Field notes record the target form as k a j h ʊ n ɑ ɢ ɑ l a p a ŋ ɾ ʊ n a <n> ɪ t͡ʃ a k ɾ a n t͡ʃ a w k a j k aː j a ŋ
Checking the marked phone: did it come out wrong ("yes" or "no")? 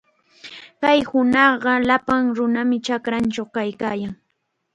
yes